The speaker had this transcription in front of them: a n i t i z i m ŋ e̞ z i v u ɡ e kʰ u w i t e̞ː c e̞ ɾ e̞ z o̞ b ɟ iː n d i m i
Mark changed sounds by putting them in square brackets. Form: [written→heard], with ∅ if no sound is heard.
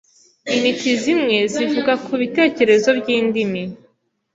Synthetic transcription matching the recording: [a→i] n i t i z i m ŋ e̞ z i v u ɡ [e→a] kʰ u [w→β] i t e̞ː c e̞ ɾ e̞ z o̞ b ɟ iː n d i m i